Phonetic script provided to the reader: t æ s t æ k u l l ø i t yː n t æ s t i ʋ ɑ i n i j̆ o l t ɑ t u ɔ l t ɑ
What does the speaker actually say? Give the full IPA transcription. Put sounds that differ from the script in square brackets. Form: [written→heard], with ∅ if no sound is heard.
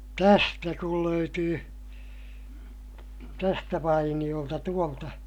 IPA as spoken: t æ s t æ k u l l ø [i→y] t yː [n→∅] t æ s t [i→æ] ʋ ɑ i n i j̆ o l t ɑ t u [ɔ→o] l t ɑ